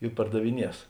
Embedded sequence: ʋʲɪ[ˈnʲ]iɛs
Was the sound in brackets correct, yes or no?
yes